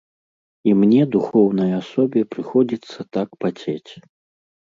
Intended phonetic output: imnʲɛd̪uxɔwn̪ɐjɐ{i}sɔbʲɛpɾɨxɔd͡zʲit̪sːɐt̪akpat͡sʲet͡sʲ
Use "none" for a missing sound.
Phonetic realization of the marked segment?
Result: a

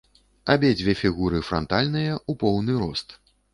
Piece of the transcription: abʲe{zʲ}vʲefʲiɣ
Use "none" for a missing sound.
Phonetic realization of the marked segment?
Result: d͡zʲ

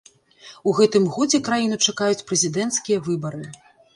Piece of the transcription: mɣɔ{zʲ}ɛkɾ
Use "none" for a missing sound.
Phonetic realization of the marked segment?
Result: d͡zʲ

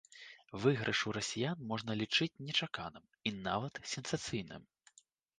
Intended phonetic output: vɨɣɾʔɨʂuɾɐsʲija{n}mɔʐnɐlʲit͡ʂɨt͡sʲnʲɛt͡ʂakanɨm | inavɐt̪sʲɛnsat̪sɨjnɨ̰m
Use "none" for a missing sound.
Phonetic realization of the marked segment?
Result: n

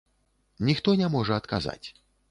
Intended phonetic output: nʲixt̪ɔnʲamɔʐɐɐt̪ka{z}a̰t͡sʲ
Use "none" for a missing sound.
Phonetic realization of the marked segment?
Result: z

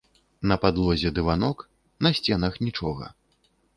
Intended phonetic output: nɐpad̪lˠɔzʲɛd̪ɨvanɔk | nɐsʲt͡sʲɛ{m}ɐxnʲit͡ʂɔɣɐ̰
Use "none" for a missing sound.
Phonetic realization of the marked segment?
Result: n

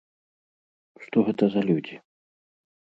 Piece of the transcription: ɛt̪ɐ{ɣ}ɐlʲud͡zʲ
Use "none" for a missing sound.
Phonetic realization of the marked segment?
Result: z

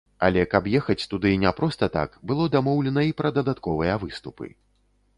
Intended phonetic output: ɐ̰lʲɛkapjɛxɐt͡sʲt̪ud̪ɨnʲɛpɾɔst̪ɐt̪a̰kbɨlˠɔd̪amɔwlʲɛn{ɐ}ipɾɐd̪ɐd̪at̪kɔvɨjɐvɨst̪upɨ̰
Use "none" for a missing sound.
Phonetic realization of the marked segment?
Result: ɐ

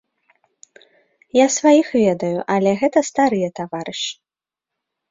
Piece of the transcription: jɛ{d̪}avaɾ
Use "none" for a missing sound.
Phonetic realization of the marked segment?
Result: t̪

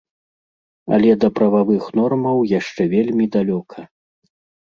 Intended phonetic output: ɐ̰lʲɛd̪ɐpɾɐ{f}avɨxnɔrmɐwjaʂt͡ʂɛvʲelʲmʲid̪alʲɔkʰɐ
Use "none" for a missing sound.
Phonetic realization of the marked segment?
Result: v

